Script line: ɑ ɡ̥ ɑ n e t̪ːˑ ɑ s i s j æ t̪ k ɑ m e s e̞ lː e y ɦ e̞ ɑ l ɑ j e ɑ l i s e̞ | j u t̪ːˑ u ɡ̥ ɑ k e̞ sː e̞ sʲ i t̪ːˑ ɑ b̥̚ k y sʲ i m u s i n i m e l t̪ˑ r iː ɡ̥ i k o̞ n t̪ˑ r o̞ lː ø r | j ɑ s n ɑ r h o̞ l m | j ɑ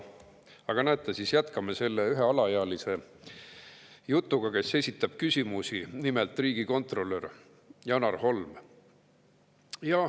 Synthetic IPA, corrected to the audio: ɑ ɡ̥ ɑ n æ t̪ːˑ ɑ s i s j æ t̪ k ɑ m e s e̞ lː e y ɦ e̞ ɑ l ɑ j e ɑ l i s e̞ | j u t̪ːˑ u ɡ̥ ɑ k e̞ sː e̞ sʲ i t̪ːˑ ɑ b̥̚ k y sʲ i m u s i n i m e l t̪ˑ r iː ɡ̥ i k o̞ n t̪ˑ r o̞ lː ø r | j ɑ n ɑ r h o̞ l m | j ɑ